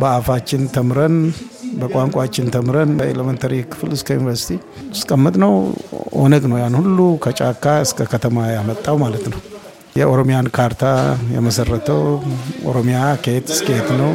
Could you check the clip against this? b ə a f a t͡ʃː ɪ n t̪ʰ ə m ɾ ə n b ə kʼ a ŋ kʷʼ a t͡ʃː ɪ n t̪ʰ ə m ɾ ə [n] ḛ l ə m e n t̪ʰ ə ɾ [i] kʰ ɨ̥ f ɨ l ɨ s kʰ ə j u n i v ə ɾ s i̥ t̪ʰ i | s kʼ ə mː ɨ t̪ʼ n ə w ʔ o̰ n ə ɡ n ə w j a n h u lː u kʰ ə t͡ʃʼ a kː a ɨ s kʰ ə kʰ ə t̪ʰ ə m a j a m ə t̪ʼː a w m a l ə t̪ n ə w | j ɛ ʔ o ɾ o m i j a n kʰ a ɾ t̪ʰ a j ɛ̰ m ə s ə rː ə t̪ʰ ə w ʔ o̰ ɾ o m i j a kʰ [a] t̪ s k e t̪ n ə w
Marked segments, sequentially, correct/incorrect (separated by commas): correct, correct, incorrect